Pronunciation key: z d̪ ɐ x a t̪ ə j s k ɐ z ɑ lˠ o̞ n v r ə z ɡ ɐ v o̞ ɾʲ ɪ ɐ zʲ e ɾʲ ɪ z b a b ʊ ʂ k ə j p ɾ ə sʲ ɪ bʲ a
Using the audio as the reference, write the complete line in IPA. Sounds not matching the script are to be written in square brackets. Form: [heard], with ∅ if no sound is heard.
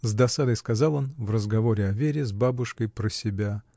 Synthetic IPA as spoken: z d̪ ɐ [s] a [d̪] ə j s k ɐ z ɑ lˠ o̞ n v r ə z ɡ ɐ v o̞ ɾʲ ɪ ɐ [vʲ] e ɾʲ ɪ z b a b ʊ ʂ k ə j p ɾ ə sʲ ɪ bʲ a